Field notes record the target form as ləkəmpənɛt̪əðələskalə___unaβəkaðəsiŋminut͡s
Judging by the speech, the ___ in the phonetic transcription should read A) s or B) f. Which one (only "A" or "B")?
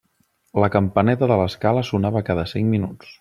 A